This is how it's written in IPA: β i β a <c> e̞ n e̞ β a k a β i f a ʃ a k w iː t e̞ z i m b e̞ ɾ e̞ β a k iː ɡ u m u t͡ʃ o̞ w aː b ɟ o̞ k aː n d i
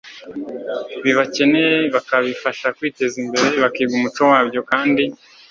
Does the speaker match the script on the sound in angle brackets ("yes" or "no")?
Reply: yes